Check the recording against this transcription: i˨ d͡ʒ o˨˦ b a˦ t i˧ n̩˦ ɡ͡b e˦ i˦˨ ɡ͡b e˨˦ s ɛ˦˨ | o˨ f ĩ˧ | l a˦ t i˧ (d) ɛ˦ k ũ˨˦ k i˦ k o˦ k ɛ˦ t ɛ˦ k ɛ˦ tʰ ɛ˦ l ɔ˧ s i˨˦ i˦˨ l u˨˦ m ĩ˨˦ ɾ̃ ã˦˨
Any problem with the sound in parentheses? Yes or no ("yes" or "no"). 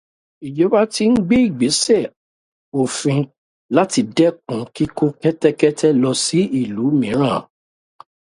no